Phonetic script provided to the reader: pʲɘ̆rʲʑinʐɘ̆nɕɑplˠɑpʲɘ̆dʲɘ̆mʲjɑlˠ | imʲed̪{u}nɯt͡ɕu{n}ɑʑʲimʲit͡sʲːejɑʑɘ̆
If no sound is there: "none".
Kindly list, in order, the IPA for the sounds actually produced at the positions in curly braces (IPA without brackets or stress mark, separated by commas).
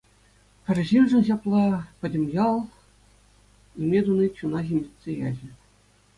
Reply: u, n